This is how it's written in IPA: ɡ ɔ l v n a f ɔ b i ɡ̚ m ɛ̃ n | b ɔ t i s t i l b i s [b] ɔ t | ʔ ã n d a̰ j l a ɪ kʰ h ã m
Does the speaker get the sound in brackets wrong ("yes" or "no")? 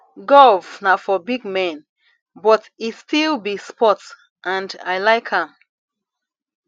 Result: yes